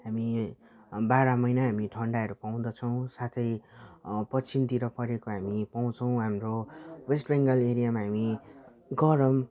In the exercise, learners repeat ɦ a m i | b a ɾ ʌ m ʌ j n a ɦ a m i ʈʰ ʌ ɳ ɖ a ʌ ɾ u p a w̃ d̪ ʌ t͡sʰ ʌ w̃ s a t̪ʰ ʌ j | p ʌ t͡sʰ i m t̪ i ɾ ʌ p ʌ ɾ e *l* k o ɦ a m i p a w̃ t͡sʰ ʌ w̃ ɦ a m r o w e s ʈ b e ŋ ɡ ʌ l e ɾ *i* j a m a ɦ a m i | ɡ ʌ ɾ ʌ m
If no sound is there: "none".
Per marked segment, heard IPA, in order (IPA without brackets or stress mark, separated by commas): none, i